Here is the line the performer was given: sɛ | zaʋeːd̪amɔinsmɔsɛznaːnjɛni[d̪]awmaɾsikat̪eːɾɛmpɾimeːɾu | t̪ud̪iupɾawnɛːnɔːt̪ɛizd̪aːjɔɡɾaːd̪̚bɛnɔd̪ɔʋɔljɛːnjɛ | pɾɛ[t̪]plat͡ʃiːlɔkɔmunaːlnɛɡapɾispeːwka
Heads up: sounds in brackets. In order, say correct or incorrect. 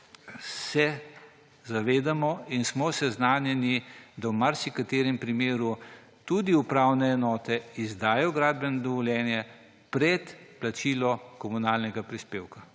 correct, correct

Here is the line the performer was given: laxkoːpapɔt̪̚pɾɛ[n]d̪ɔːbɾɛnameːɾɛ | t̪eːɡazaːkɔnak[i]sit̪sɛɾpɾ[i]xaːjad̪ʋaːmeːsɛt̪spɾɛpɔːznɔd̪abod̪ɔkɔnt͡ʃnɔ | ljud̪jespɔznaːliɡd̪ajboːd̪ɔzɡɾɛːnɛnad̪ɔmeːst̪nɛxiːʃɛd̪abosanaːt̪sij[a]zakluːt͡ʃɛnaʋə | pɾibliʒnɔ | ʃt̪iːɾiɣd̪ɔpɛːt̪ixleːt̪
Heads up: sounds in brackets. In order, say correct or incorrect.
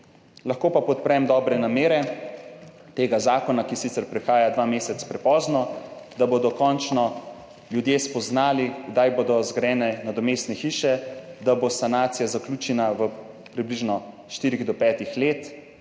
incorrect: m, correct, incorrect: ɛ, correct

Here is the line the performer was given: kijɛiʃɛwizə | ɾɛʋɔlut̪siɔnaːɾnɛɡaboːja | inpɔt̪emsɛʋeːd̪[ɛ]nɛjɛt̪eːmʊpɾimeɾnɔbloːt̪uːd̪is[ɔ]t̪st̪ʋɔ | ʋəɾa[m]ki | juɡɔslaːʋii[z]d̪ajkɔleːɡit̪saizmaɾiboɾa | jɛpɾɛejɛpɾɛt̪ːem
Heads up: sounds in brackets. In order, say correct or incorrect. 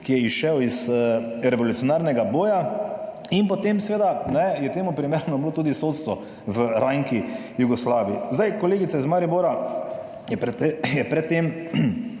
incorrect: a, incorrect: o, incorrect: ŋ, correct

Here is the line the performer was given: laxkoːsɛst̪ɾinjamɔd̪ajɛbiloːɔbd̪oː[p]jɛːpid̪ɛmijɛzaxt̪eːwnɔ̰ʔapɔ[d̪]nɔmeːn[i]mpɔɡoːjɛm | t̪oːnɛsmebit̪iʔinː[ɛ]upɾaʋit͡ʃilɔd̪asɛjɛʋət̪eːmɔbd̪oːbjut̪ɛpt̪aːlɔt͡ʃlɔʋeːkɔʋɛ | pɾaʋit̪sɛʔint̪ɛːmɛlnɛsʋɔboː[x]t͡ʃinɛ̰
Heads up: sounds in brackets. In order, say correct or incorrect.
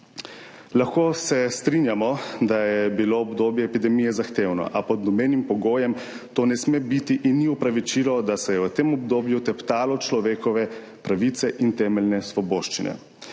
incorrect: b, correct, correct, incorrect: i, incorrect: ʃ

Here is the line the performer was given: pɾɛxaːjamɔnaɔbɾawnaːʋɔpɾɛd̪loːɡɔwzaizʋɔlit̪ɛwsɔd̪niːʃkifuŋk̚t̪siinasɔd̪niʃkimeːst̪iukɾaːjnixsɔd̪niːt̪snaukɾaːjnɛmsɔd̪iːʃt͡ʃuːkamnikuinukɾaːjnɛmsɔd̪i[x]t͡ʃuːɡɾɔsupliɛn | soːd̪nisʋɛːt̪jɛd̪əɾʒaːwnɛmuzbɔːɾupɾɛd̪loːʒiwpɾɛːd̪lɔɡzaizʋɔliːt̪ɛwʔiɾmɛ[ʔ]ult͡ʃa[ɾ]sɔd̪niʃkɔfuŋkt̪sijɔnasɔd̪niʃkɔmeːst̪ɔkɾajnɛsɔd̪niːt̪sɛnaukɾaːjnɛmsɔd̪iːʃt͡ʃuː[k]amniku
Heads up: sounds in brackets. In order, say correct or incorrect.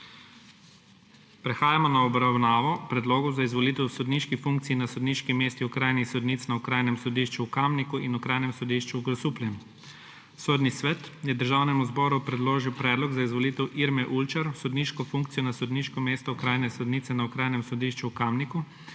incorrect: ʃ, correct, correct, correct

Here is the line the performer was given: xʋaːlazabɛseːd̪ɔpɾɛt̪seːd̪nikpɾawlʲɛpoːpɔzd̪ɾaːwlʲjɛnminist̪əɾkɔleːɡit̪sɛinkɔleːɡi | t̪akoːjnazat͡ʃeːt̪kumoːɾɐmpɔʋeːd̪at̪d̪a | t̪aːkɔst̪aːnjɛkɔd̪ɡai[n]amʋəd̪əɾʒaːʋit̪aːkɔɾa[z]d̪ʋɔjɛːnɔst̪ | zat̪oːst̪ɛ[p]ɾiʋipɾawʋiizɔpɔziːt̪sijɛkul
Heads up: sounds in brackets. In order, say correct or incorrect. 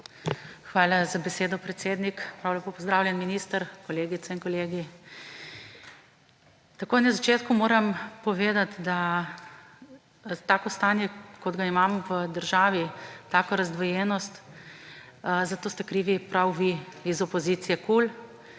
incorrect: m, correct, incorrect: k

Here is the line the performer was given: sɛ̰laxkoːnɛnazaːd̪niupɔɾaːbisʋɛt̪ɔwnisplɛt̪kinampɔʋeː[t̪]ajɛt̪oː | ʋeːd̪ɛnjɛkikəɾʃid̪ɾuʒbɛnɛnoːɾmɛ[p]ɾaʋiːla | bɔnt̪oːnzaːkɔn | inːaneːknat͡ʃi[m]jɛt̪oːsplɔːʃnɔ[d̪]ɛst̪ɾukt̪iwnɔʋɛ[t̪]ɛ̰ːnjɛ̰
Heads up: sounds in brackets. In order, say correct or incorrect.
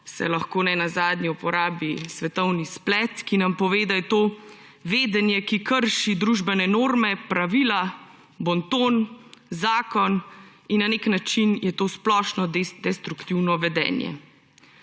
incorrect: d̪, correct, incorrect: n, correct, incorrect: d̪

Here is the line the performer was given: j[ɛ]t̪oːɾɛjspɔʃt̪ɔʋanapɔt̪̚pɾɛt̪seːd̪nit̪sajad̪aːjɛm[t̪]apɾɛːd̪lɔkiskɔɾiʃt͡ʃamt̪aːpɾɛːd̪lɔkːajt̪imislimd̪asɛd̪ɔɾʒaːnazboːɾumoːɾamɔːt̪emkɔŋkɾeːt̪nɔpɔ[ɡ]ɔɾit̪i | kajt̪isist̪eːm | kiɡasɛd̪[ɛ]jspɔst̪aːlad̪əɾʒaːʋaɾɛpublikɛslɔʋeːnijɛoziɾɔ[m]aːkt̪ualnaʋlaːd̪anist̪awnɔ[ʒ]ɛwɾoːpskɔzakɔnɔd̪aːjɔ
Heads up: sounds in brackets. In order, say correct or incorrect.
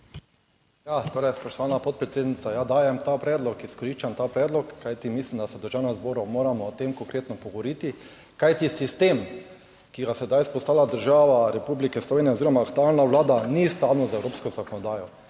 incorrect: a, correct, correct, incorrect: a, correct, incorrect: z

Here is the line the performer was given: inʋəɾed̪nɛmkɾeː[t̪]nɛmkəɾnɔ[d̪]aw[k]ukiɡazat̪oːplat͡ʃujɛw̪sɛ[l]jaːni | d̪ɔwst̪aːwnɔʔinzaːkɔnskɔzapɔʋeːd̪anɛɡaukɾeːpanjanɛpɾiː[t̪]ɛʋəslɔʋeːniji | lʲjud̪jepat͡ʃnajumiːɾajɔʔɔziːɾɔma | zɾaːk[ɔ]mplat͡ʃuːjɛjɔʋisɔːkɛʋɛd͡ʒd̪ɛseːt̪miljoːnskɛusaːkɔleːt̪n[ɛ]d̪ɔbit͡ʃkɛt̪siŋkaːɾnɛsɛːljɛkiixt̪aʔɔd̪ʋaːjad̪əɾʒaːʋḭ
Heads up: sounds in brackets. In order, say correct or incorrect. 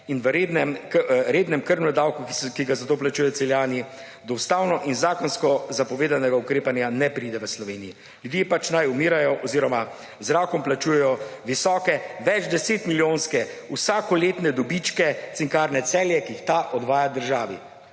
incorrect: d̪, correct, correct, correct, incorrect: d̪, correct, correct

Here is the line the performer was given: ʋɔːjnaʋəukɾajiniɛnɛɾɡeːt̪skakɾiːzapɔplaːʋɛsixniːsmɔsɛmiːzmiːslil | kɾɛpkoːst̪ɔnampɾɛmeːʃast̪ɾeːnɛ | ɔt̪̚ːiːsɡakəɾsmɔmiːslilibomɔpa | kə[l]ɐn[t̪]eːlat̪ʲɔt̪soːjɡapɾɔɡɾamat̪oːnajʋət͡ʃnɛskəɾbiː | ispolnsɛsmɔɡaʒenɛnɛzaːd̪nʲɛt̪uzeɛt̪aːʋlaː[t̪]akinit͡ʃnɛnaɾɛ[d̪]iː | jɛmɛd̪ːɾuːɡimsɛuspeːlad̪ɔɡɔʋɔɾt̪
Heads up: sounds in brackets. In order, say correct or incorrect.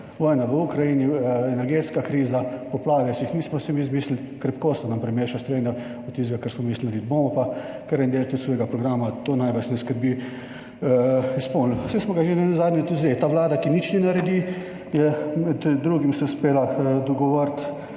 incorrect: ɾ, incorrect: d̪, incorrect: d̪, correct

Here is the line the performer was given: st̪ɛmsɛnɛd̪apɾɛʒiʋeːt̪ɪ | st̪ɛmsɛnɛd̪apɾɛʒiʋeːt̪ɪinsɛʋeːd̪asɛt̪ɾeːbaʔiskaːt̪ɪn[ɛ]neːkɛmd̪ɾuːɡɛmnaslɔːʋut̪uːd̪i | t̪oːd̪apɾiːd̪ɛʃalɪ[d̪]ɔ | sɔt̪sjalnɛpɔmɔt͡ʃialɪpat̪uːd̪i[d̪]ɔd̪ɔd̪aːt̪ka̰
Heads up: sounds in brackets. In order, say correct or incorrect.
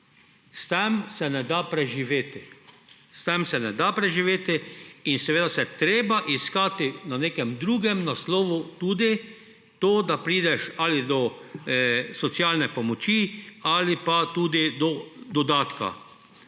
incorrect: a, correct, correct

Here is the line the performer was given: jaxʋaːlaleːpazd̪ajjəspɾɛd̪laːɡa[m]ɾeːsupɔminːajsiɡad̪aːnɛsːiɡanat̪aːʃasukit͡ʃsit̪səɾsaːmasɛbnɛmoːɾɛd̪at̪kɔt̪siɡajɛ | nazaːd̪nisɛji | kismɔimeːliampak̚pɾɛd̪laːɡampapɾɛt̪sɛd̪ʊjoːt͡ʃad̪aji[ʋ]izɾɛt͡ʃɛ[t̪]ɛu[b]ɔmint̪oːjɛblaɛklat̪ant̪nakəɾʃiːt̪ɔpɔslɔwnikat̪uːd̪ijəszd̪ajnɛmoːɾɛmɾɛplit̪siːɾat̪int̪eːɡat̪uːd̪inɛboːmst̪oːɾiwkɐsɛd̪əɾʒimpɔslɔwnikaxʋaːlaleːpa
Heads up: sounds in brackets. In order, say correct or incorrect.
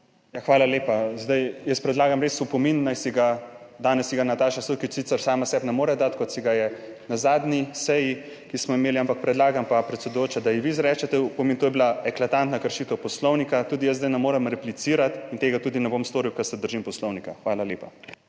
correct, correct, correct, incorrect: p

